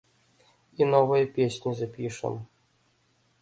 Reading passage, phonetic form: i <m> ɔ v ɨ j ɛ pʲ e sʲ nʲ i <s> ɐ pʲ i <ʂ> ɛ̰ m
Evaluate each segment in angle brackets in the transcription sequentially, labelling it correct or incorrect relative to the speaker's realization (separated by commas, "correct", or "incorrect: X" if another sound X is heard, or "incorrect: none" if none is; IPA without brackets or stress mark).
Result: incorrect: n, incorrect: z, correct